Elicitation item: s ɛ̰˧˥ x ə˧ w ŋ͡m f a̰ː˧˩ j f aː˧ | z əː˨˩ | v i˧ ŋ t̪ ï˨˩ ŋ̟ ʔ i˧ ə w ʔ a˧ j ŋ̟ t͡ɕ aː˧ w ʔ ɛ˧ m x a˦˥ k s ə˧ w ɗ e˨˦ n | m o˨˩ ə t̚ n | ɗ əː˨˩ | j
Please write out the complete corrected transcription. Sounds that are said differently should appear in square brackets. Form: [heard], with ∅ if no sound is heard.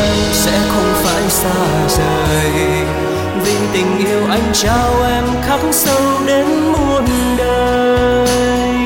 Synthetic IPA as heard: s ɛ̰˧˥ x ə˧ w ŋ͡m f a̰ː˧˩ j [s] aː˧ | z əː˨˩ | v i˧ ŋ t̪ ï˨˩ ŋ̟ ʔ i˧ ə w ʔ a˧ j ŋ̟ t͡ɕ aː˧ w ʔ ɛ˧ m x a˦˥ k s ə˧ w ɗ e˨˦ n | m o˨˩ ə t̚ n | ɗ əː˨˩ | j